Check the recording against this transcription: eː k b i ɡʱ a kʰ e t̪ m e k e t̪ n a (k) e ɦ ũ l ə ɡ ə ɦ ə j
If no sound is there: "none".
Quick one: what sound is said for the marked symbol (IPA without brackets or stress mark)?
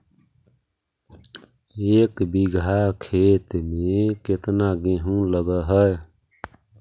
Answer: ɡ